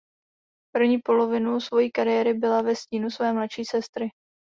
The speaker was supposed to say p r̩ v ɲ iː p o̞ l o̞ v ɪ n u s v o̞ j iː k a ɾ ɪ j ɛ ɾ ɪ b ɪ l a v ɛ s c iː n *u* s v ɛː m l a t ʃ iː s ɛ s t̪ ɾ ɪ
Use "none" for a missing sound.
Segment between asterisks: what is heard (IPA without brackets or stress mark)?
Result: u